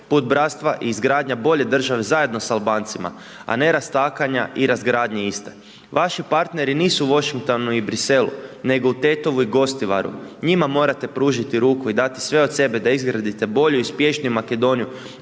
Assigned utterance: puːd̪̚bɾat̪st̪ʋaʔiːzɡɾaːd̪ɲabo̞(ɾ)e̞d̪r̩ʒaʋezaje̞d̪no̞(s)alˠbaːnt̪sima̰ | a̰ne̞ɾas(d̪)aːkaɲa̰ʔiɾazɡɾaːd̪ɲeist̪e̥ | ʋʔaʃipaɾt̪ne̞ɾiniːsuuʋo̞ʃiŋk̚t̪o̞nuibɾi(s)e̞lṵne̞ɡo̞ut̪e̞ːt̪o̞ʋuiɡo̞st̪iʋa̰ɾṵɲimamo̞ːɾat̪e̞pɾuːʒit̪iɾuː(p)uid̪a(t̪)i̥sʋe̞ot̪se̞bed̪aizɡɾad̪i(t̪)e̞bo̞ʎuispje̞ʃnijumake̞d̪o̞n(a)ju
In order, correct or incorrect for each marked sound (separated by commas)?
incorrect, correct, incorrect, correct, incorrect, correct, correct, incorrect